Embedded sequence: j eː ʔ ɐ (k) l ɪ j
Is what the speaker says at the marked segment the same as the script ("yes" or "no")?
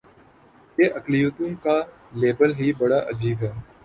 yes